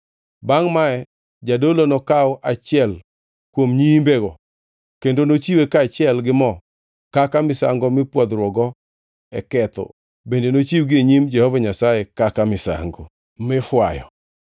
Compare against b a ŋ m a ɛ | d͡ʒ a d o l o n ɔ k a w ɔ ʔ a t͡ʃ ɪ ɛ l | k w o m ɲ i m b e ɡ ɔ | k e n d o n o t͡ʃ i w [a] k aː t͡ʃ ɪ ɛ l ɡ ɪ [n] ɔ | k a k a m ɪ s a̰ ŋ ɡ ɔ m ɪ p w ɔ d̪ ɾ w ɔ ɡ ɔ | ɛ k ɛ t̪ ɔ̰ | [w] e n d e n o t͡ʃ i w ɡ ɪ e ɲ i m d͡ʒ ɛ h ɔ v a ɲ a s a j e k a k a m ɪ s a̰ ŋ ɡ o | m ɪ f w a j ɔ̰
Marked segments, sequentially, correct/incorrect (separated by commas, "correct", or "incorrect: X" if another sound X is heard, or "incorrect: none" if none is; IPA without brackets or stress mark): incorrect: e, incorrect: m, incorrect: b